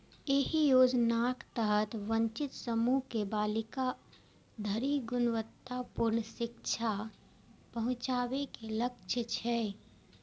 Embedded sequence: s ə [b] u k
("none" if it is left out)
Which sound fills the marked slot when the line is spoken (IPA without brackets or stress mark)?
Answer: m